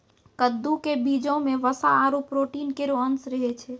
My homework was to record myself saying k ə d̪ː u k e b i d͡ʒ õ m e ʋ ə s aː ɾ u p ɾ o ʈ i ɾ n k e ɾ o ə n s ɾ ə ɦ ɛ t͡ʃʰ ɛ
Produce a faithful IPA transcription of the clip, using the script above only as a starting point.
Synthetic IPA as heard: k ə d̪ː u k e b i d͡ʒ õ m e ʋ ə s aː ɾ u p ɾ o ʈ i n k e ɾ o ə n s ɾ ə ɦ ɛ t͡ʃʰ ɛ